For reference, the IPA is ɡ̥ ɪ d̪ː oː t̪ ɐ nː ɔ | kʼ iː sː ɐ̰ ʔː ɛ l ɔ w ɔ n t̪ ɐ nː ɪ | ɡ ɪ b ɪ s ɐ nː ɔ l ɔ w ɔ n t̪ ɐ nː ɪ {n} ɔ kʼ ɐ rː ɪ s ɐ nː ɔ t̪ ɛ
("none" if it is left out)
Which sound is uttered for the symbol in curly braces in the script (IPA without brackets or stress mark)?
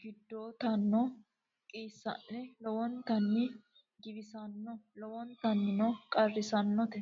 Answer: n